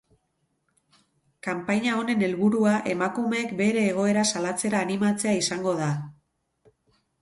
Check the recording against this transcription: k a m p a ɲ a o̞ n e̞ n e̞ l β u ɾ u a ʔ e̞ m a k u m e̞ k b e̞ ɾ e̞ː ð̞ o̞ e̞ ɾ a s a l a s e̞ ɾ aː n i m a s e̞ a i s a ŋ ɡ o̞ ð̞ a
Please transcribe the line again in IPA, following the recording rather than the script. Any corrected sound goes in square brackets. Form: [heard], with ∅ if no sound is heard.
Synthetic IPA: k a m p a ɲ a o̞ n e̞ n e̞ l β u ɾ u a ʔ e̞ m a k u m e̞ k b e̞ ɾ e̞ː [ɣ̞] o̞ e̞ ɾ a s a l a [t͡s] e̞ ɾ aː n i m a [t͡s] e̞ a i s a ŋ ɡ o̞ ð̞ a